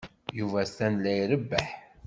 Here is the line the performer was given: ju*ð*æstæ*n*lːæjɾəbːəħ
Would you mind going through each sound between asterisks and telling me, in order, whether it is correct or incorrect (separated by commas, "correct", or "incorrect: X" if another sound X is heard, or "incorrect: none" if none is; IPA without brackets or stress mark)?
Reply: incorrect: v, correct